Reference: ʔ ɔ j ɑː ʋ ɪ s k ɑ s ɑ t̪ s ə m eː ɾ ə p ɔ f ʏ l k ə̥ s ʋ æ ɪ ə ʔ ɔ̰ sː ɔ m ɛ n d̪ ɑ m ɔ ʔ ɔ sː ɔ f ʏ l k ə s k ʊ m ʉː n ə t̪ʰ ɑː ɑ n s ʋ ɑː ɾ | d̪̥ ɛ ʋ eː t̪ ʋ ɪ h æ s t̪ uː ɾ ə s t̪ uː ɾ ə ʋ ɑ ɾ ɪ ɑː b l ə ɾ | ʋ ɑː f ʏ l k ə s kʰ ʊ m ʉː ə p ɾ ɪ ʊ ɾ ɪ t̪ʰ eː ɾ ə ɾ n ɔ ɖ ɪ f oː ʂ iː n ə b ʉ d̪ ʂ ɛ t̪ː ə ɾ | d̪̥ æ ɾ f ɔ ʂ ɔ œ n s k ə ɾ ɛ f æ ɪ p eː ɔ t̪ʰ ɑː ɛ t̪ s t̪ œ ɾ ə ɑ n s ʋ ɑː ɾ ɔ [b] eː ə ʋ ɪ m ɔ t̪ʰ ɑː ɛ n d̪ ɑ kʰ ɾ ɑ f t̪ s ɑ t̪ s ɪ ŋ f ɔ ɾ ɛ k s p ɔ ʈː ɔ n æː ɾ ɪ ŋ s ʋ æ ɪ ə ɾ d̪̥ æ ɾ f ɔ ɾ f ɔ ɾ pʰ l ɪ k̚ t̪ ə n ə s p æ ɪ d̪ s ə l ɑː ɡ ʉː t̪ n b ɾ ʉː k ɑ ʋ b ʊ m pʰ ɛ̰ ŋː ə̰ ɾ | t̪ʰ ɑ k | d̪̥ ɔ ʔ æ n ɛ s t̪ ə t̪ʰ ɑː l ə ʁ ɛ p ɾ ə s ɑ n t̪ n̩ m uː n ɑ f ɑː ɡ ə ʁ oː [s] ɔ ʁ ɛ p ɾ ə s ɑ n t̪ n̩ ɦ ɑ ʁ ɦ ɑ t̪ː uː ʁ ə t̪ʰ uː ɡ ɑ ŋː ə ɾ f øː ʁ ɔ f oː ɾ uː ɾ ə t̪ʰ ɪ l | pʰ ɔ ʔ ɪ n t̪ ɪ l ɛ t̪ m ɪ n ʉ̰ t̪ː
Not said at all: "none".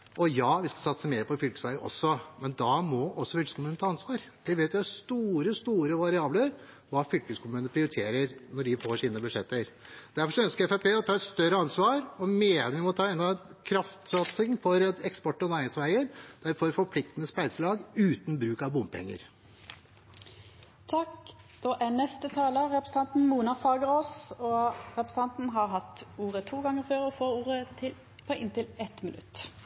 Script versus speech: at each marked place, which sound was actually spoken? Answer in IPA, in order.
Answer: m, s

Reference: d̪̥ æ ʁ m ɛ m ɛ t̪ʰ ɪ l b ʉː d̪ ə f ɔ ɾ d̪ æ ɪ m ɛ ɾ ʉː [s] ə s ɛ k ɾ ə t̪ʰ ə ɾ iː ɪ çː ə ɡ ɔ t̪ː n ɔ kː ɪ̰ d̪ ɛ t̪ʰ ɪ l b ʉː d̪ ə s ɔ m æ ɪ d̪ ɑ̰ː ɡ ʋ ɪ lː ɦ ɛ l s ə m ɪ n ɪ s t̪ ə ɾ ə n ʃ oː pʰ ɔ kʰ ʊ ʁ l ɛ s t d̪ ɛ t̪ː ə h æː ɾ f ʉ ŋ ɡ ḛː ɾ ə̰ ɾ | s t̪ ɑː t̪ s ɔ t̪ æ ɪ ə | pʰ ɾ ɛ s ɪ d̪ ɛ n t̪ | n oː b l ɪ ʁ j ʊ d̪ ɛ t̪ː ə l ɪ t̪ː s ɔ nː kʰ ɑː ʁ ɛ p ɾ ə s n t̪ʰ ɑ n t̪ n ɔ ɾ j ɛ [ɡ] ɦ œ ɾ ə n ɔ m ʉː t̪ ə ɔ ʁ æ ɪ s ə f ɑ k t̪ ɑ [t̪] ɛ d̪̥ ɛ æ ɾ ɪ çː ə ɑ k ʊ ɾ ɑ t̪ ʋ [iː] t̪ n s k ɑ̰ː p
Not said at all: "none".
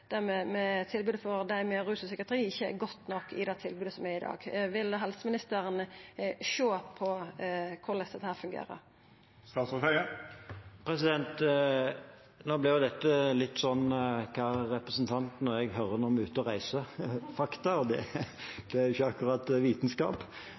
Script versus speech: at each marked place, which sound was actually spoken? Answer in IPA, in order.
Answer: s, ɡ, d̪, iː

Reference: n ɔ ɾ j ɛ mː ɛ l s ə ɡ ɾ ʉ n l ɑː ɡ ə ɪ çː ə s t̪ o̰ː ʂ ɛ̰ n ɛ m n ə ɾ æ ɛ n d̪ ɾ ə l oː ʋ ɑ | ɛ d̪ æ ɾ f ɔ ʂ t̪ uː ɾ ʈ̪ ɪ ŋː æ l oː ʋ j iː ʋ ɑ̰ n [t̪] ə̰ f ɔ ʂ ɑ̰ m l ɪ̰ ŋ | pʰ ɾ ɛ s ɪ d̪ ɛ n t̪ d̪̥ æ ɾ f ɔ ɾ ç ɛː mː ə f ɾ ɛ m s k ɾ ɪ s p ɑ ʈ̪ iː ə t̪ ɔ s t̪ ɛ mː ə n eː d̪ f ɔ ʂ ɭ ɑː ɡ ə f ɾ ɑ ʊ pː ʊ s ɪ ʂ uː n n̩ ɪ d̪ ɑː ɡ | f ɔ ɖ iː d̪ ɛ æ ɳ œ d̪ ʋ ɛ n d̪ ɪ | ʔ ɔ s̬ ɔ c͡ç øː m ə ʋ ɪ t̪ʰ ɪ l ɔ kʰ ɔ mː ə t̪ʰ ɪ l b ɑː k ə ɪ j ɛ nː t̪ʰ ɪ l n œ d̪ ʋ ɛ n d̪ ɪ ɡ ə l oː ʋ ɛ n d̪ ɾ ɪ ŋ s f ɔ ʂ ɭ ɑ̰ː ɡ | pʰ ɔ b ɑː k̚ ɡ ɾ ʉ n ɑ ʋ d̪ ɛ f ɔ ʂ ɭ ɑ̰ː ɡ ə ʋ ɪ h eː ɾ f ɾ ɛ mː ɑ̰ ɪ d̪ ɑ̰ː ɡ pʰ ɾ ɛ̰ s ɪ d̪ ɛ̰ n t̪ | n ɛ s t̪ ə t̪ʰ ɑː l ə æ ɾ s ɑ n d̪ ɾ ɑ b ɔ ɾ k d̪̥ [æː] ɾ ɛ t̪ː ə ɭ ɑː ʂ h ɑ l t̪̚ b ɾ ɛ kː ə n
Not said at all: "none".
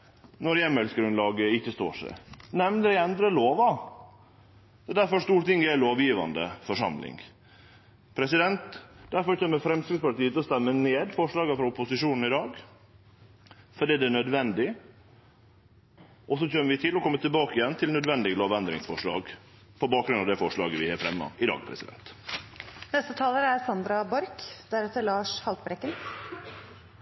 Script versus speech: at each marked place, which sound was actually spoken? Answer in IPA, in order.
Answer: d̪, æ

